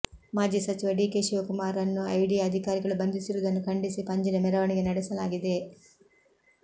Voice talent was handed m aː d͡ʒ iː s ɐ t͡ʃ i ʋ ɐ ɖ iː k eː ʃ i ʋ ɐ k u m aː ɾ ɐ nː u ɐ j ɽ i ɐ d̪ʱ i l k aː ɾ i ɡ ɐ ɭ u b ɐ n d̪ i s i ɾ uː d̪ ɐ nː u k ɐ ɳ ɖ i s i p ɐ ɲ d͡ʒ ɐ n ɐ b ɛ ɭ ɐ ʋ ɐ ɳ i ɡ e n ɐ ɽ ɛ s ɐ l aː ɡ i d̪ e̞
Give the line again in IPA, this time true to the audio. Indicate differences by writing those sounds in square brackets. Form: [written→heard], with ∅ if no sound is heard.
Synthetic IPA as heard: m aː d͡ʒ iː s ɐ t͡ʃ i ʋ ɐ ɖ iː k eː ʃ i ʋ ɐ k u m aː ɾ ɐ nː u ɐ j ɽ i ɐ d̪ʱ i [l→∅] k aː ɾ i ɡ ɐ ɭ u b ɐ n d̪ i s i ɾ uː d̪ ɐ nː u k ɐ ɳ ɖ i s i p ɐ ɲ d͡ʒ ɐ n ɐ [b→m] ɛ [ɭ→ɾ] ɐ ʋ ɐ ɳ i ɡ e n ɐ ɽ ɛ s ɐ l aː ɡ i d̪ e̞